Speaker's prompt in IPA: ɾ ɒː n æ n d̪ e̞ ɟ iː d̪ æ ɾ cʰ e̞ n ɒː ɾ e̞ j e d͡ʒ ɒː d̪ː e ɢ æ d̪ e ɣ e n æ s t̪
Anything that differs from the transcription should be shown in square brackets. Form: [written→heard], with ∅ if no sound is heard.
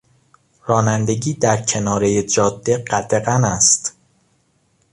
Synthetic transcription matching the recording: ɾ ɒː n æ n d̪ e̞ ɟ iː d̪ æ ɾ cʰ e̞ n ɒː ɾ e̞ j e d͡ʒ ɒː d̪ː e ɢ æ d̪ e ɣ [e→æ] n æ s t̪

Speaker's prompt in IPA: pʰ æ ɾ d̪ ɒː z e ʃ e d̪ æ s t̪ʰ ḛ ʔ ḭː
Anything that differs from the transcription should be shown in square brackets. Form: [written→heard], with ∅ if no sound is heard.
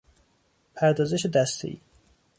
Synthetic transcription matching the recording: pʰ æ ɾ d̪ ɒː z e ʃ e d̪ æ s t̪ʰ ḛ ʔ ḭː

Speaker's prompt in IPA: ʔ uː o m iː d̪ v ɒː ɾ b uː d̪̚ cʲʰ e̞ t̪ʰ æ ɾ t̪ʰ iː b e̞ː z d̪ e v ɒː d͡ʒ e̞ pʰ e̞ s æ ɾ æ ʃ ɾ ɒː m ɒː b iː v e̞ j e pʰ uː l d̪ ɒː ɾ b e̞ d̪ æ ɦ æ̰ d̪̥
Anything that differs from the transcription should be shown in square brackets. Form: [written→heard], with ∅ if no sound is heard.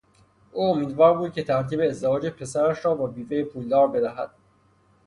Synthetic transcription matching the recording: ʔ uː o m iː d̪ v ɒː ɾ b uː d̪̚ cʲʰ e̞ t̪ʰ æ ɾ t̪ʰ iː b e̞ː z d̪ e v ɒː d͡ʒ e̞ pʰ e̞ s æ ɾ æ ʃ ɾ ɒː [m→b] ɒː b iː v e̞ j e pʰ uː l d̪ ɒː ɾ b e̞ d̪ æ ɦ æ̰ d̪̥

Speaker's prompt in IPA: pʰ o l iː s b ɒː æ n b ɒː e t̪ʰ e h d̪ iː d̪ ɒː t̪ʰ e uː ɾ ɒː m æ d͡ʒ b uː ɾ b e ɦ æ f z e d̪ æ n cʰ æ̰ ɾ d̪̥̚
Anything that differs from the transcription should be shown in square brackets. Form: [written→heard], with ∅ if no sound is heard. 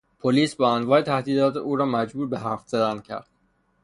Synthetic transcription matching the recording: pʰ o l iː s b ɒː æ n [b→v] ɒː e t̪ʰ [e→æ] h d̪ iː d̪ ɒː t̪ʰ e uː ɾ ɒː m æ d͡ʒ b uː ɾ b e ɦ æ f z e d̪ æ n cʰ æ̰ ɾ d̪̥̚

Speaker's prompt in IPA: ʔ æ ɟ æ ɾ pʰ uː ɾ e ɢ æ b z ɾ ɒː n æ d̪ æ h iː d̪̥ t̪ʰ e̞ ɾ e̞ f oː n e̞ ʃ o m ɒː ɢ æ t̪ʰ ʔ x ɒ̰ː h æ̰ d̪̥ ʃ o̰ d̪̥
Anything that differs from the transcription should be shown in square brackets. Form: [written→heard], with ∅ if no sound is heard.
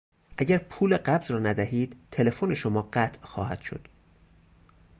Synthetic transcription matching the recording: ʔ æ ɟ æ ɾ pʰ uː [ɾ→l] e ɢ æ b z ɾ ɒː n æ d̪ æ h iː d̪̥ t̪ʰ e̞ [ɾ→l] e̞ f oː n e̞ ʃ o m ɒː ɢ æ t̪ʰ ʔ x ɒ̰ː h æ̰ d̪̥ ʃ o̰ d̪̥

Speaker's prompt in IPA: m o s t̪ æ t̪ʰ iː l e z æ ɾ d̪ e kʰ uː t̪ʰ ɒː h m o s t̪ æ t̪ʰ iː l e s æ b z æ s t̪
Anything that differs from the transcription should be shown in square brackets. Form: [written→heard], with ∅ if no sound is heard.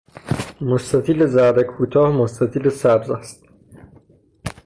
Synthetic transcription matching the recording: m o s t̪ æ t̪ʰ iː l e z æ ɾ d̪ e kʰ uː t̪ʰ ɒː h m o s t̪ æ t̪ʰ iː l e s æ b z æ s t̪

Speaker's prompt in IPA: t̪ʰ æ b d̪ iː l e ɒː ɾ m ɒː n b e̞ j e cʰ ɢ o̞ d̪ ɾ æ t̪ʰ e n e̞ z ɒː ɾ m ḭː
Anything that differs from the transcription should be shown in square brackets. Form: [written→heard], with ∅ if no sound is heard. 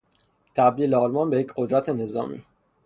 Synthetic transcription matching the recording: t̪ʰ æ b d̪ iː l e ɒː [ɾ→l] m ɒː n b e̞ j e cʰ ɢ o̞ d̪ ɾ æ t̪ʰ e n e̞ z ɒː [ɾ→∅] m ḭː

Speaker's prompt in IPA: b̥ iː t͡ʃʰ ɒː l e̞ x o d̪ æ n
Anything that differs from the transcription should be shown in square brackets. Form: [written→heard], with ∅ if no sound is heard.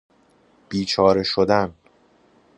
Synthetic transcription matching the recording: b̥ iː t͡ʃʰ ɒː [l→ɾ] e̞ [x→ʃ] o d̪ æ n

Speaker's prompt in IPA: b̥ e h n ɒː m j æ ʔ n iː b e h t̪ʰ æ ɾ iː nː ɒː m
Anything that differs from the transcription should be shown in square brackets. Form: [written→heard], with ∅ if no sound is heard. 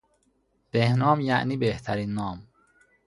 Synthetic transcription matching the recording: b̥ e h n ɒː m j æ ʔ n iː b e h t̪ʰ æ ɾ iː nː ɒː m

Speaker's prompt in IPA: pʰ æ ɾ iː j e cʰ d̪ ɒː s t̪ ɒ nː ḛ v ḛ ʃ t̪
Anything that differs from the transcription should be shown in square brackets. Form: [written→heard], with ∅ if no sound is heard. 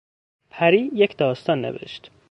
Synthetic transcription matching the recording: pʰ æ ɾ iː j e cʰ d̪ ɒː s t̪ ɒ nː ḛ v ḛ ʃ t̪

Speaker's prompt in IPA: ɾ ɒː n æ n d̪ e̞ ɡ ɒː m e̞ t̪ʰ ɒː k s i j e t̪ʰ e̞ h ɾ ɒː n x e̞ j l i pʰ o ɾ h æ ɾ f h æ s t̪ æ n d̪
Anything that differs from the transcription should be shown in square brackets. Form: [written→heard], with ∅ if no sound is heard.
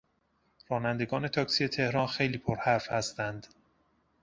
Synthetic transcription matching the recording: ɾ ɒː n æ n d̪ e̞ ɡ ɒː [m→n] e̞ t̪ʰ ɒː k s i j e t̪ʰ e̞ h ɾ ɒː n x e̞ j l [i→iː] pʰ o ɾ h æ ɾ f h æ s t̪ æ n d̪

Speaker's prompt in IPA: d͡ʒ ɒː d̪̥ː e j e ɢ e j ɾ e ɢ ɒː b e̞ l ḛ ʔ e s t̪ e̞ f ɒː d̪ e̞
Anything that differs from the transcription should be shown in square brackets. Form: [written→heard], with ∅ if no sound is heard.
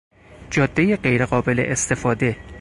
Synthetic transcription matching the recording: d͡ʒ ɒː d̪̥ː e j e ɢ e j ɾ e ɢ ɒː b e̞ l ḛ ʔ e s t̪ e̞ f ɒː d̪ e̞

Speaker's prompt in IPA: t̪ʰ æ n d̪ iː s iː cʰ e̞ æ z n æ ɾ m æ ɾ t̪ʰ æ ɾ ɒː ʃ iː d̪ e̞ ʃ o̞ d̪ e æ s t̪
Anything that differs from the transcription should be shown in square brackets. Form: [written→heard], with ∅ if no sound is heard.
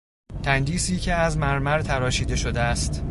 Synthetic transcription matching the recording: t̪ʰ æ n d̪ iː s iː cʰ e̞ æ z [n→m] æ ɾ m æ ɾ t̪ʰ æ ɾ ɒː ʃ iː d̪ e̞ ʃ o̞ d̪ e æ s t̪

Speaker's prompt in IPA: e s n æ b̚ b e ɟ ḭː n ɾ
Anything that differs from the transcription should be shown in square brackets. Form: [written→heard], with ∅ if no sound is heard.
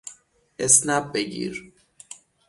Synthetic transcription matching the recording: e s n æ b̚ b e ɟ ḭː [n→∅] ɾ

